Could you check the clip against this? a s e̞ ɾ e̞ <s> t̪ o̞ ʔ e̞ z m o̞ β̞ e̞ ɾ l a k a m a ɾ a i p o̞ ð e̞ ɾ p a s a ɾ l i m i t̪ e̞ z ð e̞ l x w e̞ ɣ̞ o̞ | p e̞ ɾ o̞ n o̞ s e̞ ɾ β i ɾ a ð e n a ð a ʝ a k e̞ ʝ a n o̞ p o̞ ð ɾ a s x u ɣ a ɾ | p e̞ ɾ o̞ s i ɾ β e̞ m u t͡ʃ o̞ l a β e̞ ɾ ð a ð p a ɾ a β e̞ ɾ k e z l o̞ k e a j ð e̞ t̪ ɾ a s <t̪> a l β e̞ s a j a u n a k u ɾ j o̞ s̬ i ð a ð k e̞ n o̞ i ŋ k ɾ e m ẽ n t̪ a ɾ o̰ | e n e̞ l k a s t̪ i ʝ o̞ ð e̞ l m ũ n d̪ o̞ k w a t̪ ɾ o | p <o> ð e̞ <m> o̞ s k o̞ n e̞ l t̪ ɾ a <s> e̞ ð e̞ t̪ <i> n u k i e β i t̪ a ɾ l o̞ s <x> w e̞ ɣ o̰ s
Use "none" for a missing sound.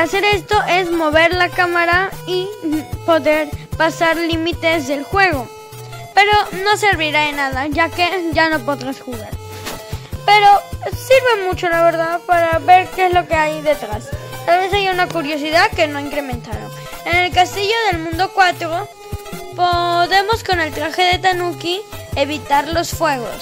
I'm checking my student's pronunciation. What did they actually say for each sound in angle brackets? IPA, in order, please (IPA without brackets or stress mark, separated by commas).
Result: s, t̪, o, m, x, a, f